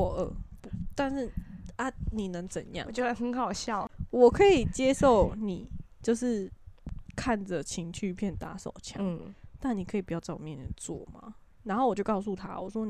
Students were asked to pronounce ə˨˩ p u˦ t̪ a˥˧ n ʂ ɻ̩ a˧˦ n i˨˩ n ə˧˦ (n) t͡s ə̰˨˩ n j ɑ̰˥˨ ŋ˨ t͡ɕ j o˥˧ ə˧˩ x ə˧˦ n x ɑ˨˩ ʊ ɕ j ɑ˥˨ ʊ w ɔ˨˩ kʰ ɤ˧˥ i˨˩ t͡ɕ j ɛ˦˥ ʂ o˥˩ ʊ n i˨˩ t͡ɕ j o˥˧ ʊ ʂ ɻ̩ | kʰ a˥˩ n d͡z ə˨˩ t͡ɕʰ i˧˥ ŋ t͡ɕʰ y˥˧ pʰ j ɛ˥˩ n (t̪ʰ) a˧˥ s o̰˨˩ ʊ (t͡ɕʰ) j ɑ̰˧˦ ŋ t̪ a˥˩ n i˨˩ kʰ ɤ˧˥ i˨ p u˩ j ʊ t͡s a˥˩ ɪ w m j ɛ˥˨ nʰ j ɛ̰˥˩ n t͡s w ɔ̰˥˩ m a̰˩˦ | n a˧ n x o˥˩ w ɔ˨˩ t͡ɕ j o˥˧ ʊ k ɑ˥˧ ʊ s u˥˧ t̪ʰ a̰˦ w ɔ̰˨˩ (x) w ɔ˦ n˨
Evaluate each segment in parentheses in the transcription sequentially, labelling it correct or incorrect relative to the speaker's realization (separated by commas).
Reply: incorrect, incorrect, correct, incorrect